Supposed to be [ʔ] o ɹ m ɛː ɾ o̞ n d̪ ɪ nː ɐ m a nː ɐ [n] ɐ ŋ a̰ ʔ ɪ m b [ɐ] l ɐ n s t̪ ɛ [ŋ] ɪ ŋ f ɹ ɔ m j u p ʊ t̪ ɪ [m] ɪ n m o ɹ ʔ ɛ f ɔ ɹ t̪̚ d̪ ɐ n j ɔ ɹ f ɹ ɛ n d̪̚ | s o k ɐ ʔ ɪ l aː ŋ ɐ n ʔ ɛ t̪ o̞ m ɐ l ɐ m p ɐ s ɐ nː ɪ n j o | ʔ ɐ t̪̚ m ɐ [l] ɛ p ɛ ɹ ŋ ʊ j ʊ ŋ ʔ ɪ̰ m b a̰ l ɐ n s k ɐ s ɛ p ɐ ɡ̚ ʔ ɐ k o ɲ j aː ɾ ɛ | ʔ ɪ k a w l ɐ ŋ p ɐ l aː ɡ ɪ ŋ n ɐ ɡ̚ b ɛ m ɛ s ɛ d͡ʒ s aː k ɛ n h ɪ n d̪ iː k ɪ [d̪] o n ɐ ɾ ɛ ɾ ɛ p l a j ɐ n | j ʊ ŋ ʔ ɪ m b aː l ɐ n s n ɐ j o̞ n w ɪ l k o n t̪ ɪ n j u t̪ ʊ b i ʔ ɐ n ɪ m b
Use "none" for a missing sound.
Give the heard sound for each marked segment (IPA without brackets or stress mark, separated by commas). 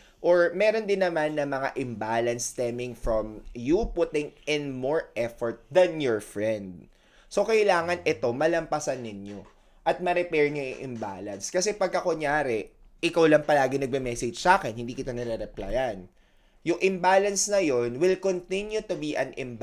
ʔ, m, a, m, ŋ, ɾ, t̪